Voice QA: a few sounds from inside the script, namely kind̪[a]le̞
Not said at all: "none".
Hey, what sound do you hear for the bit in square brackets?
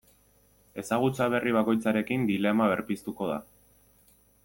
i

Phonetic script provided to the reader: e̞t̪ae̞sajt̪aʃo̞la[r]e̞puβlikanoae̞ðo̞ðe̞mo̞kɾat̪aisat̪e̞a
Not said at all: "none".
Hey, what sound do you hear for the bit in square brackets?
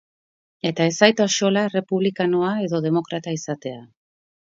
r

